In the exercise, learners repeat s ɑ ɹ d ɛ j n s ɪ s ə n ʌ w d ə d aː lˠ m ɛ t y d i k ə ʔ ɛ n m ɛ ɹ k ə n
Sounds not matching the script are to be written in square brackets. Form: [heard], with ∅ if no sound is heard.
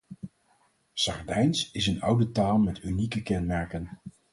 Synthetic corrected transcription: s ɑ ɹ d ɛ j n s ɪ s ə n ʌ w d ə [t] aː lˠ m ɛ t y [n] i k ə [k] ɛ n m ɛ ɹ k ə n